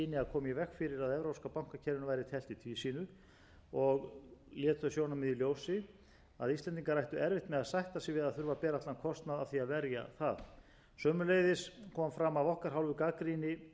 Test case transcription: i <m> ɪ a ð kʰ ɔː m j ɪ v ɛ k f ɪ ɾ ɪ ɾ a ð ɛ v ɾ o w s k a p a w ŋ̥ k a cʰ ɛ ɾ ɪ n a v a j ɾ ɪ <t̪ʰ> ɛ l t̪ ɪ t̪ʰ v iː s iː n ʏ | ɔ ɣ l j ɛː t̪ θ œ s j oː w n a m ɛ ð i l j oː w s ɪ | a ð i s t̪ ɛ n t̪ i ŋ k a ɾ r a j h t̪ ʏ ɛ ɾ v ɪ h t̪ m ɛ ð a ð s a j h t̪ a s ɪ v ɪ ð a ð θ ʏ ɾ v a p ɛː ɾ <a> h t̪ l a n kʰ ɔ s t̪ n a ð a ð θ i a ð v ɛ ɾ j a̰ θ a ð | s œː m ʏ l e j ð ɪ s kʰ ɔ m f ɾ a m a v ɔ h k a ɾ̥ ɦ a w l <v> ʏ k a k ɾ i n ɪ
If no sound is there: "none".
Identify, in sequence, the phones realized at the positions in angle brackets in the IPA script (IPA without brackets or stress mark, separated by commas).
n, t̪ʰ, a, v